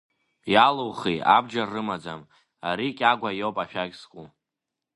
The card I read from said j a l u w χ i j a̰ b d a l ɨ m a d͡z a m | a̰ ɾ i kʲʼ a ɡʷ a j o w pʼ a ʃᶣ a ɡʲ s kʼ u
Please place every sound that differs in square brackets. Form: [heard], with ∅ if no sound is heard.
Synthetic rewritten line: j a l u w χ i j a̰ b [d͡ʒ] a [r] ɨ m a d͡z a m | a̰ ɾ i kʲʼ a ɡʷ a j o w pʼ a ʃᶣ a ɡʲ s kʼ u